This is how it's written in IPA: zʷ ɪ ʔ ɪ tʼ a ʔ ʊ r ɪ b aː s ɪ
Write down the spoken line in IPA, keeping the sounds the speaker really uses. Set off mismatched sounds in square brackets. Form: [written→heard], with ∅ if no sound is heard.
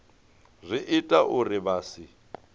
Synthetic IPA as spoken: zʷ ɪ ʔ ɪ tʼ a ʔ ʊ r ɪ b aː s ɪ